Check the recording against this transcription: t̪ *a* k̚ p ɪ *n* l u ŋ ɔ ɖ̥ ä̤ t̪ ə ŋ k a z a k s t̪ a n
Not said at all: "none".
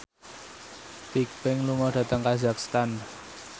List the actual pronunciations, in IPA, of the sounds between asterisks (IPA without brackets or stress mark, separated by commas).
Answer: i, ŋ